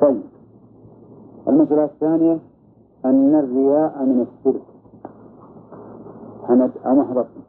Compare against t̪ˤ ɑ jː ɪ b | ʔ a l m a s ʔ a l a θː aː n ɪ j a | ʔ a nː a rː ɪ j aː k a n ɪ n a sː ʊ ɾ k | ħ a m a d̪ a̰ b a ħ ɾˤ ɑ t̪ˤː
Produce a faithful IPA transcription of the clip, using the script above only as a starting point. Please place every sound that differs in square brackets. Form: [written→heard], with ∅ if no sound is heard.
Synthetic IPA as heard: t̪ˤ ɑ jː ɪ b | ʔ a l m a s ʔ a l a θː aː n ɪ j a | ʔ a nː a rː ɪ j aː [k→ʔ] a [n→m] ɪ n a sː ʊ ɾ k | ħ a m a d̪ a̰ [b→m] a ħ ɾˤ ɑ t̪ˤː